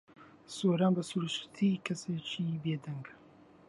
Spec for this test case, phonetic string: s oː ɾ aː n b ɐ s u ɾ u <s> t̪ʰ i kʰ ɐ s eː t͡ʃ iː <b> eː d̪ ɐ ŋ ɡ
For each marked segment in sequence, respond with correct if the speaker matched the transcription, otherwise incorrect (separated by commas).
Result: incorrect, correct